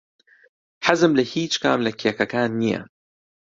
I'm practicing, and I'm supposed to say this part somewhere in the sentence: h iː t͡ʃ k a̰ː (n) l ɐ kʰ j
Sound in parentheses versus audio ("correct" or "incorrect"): incorrect